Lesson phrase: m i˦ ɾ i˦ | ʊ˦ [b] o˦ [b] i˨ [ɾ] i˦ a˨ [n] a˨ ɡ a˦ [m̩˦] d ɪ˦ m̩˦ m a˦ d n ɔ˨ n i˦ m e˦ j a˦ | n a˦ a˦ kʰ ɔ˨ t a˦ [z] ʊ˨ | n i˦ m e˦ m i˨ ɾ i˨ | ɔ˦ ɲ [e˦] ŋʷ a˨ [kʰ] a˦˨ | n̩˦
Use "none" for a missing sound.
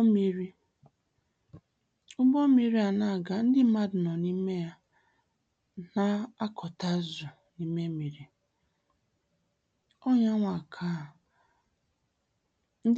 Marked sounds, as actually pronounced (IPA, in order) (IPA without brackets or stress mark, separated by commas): b, m, ɾ, n, n̩˦, z, a˦, kʰ